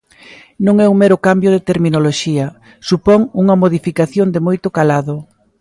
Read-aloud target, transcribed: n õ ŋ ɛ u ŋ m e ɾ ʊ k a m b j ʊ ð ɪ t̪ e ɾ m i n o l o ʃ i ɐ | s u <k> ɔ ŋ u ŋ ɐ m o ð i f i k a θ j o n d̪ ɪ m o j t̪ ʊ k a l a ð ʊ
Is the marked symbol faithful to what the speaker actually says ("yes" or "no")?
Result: no